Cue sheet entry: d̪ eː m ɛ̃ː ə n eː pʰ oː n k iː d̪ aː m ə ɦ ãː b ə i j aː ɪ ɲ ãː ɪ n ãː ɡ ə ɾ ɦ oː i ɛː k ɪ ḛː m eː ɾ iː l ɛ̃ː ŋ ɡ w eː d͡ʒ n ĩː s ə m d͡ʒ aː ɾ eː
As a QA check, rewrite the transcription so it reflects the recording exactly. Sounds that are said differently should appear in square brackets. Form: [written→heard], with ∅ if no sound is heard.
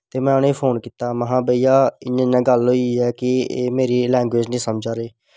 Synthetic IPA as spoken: [d̪→t̪] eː m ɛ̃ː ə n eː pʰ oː n k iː [d̪→t̪] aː m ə ɦ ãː b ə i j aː ɪ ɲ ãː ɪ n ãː ɡ ə [ɾ→l] ɦ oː i ɛː k ɪ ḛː m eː ɾ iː l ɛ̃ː ŋ ɡ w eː d͡ʒ n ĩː s ə m d͡ʒ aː ɾ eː